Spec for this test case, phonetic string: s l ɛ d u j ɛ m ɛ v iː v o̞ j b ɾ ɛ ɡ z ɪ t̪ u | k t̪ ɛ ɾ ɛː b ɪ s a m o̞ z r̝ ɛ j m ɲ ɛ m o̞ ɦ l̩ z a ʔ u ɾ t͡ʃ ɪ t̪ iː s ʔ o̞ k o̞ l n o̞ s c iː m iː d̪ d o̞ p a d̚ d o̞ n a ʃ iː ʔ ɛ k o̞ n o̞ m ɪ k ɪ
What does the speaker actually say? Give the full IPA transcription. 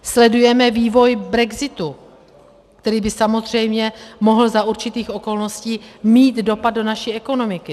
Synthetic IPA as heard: s l ɛ d u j ɛ m ɛ v iː v o̞ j b ɾ ɛ ɡ z ɪ t̪ u | k t̪ ɛ ɾ iː b ɪ s a m o̞ z r̝ ɛ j m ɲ ɛ m o̞ ɦ l̩ z a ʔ u ɾ t͡ʃ ɪ t̪ iː x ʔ o̞ k o̞ l n o̞ s c iː m iː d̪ d o̞ p a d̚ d o̞ n a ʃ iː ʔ ɛ k o̞ n o̞ m ɪ k ɪ